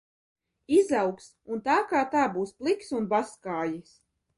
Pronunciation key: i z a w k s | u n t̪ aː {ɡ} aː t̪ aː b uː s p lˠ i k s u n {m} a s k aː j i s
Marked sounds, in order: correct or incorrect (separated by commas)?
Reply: incorrect, incorrect